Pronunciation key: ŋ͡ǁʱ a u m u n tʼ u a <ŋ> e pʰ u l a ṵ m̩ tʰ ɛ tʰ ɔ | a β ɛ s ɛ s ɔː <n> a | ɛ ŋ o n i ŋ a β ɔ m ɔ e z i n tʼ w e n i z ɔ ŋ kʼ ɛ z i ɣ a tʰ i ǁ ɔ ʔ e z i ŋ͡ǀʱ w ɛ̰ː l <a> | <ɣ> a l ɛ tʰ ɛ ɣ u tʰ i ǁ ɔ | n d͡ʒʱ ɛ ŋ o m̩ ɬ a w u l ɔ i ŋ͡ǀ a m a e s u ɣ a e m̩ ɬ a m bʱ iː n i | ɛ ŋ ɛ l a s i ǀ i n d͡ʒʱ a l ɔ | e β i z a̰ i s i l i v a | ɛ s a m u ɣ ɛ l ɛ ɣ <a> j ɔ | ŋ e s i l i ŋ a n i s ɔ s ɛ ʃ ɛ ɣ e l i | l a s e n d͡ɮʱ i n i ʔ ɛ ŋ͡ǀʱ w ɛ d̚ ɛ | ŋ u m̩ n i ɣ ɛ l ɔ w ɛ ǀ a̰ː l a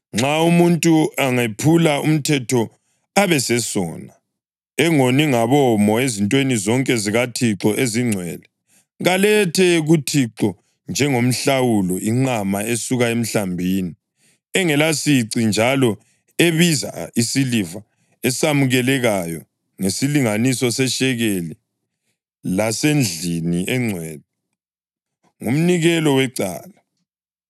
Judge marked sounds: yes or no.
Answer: yes, yes, no, yes, yes

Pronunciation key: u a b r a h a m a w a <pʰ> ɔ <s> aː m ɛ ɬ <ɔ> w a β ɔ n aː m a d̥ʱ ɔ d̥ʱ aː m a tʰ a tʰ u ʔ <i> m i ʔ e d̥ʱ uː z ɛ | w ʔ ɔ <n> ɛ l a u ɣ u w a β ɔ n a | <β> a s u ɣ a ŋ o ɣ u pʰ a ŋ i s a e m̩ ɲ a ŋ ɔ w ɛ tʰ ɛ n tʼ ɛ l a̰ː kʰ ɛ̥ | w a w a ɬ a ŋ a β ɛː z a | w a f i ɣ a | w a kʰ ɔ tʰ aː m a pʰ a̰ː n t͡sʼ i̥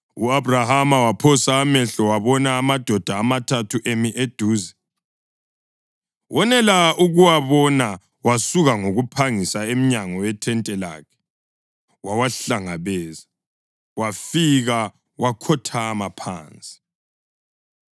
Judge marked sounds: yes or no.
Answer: yes, yes, yes, no, yes, no

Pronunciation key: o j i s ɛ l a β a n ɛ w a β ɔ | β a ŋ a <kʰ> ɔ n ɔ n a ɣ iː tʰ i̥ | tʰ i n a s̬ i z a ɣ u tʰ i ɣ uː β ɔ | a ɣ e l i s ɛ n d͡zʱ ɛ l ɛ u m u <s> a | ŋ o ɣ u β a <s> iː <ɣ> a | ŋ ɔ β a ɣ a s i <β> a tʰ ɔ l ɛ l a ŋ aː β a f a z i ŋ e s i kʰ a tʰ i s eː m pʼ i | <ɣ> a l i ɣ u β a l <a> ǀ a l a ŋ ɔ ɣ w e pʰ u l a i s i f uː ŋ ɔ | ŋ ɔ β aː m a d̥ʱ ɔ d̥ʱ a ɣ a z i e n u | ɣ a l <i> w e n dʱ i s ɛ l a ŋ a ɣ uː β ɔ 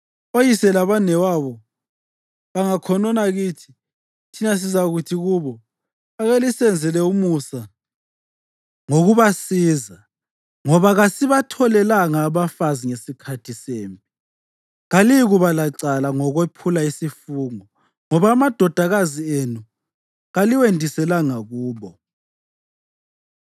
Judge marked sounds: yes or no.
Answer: yes, yes, yes, no, yes, yes, yes, yes

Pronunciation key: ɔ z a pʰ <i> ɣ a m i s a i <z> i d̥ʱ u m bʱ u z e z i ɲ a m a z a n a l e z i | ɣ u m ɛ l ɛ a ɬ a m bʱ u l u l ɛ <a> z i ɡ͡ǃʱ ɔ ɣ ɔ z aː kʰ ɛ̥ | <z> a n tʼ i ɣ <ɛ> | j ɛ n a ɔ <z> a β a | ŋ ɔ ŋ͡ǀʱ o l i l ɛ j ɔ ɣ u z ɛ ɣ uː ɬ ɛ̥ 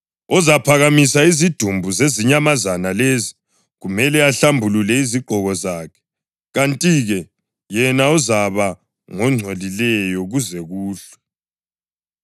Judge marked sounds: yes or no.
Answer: no, yes, no, no, yes, yes

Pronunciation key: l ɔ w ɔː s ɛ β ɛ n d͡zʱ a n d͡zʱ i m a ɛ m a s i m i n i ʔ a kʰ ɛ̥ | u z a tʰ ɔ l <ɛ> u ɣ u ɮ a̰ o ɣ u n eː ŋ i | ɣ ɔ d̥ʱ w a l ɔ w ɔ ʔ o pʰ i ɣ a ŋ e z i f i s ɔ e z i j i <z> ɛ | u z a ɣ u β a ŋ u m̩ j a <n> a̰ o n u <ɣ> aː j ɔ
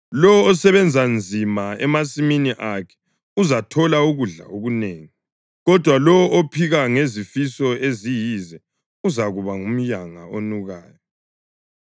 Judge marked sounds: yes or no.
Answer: no, yes, no, yes

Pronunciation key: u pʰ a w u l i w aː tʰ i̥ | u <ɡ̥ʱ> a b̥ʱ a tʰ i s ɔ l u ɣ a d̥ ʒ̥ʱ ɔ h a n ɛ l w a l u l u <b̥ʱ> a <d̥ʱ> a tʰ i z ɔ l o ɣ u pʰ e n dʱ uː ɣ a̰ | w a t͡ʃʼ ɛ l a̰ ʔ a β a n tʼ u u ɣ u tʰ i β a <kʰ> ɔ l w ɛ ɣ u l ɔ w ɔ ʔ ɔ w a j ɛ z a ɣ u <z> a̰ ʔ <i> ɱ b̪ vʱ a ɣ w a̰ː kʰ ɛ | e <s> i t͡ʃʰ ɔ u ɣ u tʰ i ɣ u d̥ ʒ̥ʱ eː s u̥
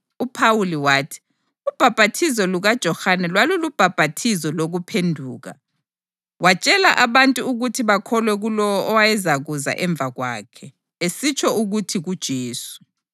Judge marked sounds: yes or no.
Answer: no, yes, no, yes, yes, no, yes

